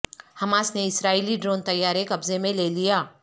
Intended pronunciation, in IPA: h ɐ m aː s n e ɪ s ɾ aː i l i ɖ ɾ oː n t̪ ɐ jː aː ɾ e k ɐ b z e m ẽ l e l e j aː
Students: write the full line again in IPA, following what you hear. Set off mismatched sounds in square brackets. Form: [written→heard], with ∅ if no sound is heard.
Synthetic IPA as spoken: h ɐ m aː s n e ɪ s ɾ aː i l i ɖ ɾ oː n t̪ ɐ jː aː ɾ e k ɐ b z e m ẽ l e l [e→i] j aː